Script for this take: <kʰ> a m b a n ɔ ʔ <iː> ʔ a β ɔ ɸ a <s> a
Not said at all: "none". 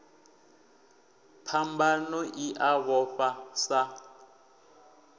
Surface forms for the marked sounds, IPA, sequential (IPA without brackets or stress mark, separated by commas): pʰ, i, s